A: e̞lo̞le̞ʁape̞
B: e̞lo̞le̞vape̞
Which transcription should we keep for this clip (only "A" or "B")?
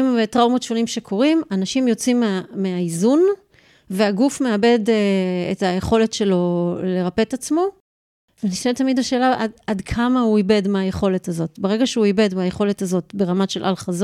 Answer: A